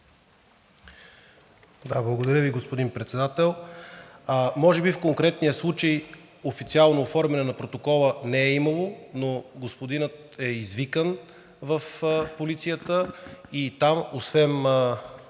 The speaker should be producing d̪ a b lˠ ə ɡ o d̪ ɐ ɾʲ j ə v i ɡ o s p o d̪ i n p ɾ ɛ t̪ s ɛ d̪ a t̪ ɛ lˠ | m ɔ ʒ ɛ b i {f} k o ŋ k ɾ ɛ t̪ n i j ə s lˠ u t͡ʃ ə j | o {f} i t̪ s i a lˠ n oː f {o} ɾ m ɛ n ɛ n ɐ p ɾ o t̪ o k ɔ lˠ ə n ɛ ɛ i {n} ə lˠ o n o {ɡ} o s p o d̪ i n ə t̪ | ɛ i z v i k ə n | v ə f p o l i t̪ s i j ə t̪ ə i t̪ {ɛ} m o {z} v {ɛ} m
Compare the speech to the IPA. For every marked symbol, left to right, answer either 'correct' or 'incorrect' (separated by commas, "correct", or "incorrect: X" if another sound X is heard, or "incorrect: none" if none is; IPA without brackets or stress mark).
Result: correct, correct, incorrect: ɔ, incorrect: m, correct, incorrect: a, incorrect: s, correct